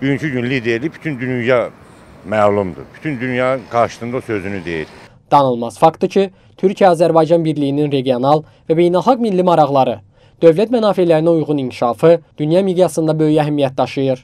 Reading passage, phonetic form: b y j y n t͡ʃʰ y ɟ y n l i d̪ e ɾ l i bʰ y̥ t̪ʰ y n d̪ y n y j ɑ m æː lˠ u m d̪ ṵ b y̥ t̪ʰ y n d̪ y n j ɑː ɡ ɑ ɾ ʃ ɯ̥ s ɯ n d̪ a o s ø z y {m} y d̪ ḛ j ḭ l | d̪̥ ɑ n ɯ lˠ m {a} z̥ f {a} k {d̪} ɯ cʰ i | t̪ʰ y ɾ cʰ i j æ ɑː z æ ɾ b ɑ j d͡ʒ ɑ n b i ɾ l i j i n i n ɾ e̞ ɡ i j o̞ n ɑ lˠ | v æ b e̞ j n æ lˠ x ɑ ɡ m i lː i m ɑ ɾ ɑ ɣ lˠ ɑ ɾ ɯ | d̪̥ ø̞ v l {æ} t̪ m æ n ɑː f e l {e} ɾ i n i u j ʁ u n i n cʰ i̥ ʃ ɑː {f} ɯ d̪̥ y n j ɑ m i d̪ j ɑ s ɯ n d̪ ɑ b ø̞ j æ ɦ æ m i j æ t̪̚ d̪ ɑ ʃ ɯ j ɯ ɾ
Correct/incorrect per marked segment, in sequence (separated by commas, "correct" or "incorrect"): incorrect, incorrect, incorrect, incorrect, correct, incorrect, correct